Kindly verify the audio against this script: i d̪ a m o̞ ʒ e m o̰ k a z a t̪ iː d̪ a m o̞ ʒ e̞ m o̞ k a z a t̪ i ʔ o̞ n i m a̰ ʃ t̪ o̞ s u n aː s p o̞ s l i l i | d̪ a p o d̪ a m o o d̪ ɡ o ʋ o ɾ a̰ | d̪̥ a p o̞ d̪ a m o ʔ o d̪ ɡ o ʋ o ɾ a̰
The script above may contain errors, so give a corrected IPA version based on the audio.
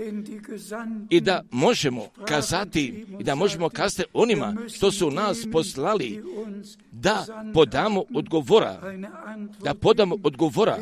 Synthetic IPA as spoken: i d̪ a m o̞ ʒ e m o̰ k a z a t̪ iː d̪ a m o̞ ʒ e̞ m o̞ k a z a t̪ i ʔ o̞ n i m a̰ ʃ t̪ o̞ s u n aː s p o̞ s l a l i | d̪ a p o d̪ a m o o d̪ ɡ o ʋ o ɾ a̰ | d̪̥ a p o̞ d̪ a m o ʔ o d̪ ɡ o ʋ o ɾ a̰